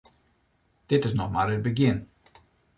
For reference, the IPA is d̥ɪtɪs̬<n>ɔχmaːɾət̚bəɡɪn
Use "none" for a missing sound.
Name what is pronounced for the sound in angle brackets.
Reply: n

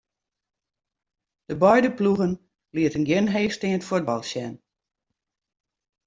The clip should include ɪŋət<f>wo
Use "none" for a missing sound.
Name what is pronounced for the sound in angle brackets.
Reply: f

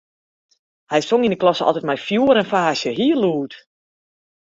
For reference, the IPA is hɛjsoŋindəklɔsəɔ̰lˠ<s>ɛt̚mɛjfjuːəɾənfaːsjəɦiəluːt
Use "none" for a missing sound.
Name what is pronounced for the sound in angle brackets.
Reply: t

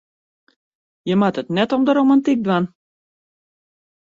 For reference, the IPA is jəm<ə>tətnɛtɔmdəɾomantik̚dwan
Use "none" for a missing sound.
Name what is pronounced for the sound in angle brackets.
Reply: a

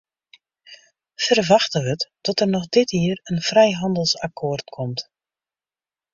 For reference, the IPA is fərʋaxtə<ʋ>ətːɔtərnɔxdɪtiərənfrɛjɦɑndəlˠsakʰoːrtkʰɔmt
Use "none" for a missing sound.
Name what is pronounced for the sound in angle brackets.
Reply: ʋ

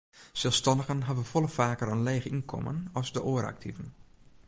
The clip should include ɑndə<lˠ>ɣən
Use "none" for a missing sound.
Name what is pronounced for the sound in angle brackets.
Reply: none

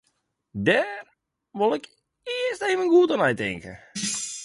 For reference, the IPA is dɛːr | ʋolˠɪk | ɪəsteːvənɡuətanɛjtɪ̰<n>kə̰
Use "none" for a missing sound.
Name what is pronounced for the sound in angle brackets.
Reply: ŋ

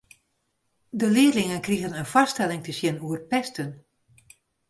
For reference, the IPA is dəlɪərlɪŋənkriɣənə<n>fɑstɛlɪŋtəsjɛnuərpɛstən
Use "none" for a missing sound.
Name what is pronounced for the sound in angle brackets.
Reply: n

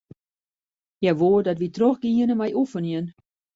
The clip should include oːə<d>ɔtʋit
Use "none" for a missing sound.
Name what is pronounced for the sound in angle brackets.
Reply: d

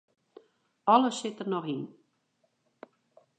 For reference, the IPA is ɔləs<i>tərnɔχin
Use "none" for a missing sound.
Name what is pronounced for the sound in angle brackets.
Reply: ɪ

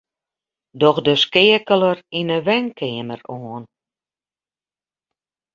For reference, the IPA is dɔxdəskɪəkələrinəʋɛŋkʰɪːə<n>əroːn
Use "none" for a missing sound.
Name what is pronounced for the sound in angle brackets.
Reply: m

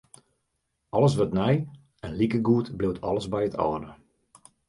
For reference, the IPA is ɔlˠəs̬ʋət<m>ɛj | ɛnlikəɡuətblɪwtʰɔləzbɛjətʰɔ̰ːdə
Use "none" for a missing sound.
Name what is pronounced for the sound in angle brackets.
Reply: n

